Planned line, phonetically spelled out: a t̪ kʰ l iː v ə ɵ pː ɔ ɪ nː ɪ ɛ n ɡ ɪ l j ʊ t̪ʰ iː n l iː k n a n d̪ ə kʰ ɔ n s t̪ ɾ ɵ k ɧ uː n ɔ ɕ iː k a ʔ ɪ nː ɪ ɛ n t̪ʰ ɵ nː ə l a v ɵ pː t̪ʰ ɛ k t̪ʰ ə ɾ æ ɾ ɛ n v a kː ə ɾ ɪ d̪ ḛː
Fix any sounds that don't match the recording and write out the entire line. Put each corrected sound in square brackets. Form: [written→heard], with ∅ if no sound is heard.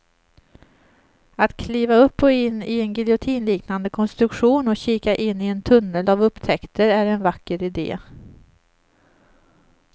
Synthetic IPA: a t̪ kʰ l iː v [ə→a] ɵ pː ɔ ɪ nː ɪ ɛ n ɡ ɪ l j ʊ t̪ʰ iː n l iː k n a n d̪ ə kʰ ɔ n s t̪ ɾ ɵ k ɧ uː n ɔ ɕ iː k a ʔ ɪ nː ɪ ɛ n t̪ʰ ɵ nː ə l a v ɵ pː t̪ʰ ɛ k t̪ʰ ə ɾ æ ɾ ɛ n v a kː ə ɾ ɪ d̪ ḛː